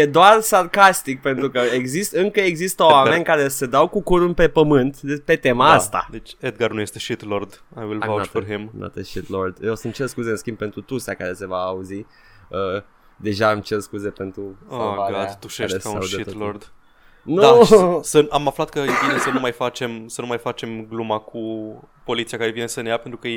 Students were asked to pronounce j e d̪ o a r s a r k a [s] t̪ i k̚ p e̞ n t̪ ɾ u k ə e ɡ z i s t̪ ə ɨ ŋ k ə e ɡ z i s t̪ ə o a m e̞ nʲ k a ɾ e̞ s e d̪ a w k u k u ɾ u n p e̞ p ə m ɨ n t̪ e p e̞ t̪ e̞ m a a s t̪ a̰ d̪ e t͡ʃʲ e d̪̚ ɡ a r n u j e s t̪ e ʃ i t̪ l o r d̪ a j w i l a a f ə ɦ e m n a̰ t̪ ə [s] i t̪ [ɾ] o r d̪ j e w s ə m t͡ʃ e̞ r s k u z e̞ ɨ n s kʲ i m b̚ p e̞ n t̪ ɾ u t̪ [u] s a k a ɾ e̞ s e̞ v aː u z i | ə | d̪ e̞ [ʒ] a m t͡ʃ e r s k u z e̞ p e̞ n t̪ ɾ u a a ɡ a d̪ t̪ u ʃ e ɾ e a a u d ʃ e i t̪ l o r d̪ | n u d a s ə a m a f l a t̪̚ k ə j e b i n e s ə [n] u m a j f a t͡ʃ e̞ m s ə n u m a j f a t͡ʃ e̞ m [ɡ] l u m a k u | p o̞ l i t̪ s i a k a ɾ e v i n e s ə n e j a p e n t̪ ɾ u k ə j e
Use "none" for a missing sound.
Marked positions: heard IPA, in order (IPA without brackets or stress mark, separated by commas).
s, ʃ, l, u, ʒ, n, ɡ